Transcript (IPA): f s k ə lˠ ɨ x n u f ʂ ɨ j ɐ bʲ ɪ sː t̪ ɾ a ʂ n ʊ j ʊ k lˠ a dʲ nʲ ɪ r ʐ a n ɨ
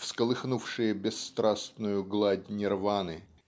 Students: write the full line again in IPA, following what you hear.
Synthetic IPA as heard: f s k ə lˠ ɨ x n u f ʂ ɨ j ə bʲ ɪ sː t̪ ɾ a s n ʊ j ʊ ɡ lˠ a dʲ nʲ ɪ r v a n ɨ

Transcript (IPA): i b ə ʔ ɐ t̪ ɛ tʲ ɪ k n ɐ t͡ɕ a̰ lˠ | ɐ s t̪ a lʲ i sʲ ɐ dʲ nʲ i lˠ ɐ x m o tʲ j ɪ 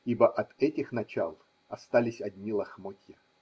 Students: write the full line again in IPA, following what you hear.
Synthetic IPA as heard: i b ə ʔ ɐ t̪ ɛ tʲ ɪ x n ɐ t͡ɕ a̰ lˠ | ɐ s t̪ a lʲ ɪ sʲ ɐ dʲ nʲ i lˠ ɐ x m o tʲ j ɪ

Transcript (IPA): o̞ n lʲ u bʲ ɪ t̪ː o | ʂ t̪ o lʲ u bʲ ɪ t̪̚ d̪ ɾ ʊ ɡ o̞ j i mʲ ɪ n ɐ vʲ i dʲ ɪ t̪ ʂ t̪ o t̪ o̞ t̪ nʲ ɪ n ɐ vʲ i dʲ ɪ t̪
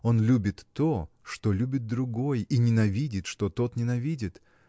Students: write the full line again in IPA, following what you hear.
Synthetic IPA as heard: o̞ n lʲ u bʲ ɪ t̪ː o | ʂ t̪ o lʲ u bʲ ɪ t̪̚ d̪ ɾ ʊ ɡ o̞ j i nʲ ɪ n ɐ vʲ i dʲ ɪ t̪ ʂ t̪ o t̪ o̞ t̪ nʲ ɪ n ɐ vʲ i dʲ ɪ t̪

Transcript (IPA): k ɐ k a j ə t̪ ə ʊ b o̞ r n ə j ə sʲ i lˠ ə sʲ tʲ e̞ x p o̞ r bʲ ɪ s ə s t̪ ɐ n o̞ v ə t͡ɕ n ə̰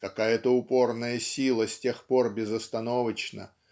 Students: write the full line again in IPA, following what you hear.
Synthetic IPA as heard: k ɐ k a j ə t̪ ə ʊ p o̞ r n ə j ə sʲ i lˠ ə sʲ tʲ e̞ x p o̞ r bʲ ɪ z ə s t̪ ɐ n o̞ v ə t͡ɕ n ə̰

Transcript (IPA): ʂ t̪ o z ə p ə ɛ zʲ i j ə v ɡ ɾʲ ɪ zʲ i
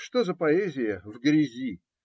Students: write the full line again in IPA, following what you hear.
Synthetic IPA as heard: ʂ t̪ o z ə p ɐ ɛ zʲ ɪ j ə v ɡ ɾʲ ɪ zʲ i

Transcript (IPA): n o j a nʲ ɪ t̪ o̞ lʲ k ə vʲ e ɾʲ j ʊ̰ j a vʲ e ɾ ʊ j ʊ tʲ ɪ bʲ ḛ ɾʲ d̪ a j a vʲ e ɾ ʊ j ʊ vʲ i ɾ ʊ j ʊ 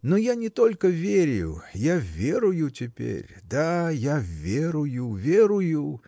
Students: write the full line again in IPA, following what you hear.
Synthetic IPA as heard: n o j a nʲ ɪ t̪ o̞ lʲ k ə vʲ e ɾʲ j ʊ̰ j a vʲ e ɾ ʊ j ʊ tʲ ɪ pʲ ḛ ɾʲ d̪ a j a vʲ e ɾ ʊ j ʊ vʲ e ɾ ʊ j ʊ

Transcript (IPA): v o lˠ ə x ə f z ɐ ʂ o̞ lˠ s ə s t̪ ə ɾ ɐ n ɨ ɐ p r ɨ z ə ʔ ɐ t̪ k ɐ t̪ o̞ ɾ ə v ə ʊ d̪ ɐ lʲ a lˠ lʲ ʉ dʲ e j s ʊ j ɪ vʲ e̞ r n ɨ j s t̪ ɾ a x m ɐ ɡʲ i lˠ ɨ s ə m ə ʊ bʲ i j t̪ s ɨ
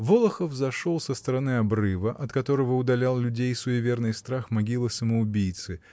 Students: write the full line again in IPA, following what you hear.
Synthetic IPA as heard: v o lˠ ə x ə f z ɐ ʂ o̞ lˠ s ə s t̪ ə ɾ ɐ n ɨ ɐ b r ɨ v ə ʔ ɐ t̪ k ɐ t̪ o̞ ɾ ə v ə ʊ d̪ ɐ lʲ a lˠ lʲ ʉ dʲ e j s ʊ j ɪ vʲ e̞ r n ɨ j s t̪ ɾ a x m ɐ ɡʲ i lˠ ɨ s ə m ə ʊ bʲ i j t̪ s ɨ

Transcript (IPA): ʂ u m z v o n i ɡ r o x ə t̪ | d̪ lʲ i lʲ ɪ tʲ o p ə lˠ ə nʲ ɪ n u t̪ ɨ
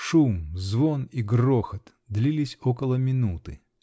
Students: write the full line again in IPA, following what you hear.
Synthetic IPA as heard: ʂ u m z v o n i ɡ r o x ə t̪ | d̪ lʲ i lʲ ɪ sʲ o k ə lˠ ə mʲ ɪ n u t̪ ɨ

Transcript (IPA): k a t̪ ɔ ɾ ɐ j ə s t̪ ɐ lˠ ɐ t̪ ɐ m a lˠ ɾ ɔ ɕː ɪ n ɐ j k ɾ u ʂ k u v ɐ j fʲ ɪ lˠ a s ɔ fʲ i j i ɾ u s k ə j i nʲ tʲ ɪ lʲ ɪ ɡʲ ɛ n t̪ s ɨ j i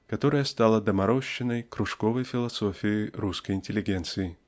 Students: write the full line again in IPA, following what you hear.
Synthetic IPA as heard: k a t̪ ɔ ɾ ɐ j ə s t̪ a lˠ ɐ d̪ ɐ m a ɾ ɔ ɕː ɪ n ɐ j k ɾ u ʂ k ɔ v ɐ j fʲ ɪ lˠ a s ɔ fʲ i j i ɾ u s k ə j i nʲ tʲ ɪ lʲ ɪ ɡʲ ɛ n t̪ s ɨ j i

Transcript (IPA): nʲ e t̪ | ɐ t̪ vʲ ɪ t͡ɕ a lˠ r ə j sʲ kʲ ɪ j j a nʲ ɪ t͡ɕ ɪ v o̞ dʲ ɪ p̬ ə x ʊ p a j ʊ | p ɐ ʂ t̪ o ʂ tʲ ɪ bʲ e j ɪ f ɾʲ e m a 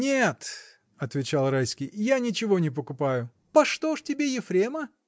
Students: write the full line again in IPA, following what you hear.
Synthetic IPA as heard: nʲ e t̪ | ɐ t̪ vʲ ɪ t͡ɕ a lˠ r a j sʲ kʲ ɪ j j a nʲ ɪ t͡ɕ ɪ v o̞ nʲ ɪ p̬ ə k ʊ p a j ʊ | p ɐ ʂ t̪ o ʂ tʲ ɪ bʲ e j ɪ f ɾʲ e m ə

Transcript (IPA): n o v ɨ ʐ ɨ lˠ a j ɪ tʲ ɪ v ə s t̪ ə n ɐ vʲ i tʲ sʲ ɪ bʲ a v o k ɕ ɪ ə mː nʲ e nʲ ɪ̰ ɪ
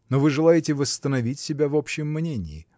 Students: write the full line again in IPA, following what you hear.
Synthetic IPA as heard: n o v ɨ ʐ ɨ lˠ a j ɪ tʲ ɪ v ə s t̪ ə n ɐ vʲ i tʲ sʲ ɪ bʲ a v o p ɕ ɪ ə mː nʲ e nʲ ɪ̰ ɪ

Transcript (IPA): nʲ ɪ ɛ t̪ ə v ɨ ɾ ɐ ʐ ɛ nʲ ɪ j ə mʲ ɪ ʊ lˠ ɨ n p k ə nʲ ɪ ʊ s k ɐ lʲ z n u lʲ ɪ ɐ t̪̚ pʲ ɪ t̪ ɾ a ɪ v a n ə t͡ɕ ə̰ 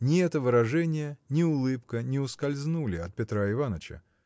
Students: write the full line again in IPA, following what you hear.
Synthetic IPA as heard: nʲ ɪ ɛ t̪ ə v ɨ ɾ ɐ ʐ ɛ nʲ ɪ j ə nʲ ɪ ʊ lˠ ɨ p k ə nʲ ɪ ʊ s k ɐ lʲ z n u lʲ ɪ ɐ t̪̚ pʲ ɪ t̪ ɾ a ɪ v a n ə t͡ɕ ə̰

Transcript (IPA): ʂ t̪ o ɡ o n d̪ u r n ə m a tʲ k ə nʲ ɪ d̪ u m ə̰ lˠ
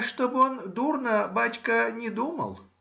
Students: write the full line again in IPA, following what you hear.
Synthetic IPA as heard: ʂ t̪ o b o n d̪ u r n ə b a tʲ k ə nʲ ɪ d̪ u m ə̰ lˠ

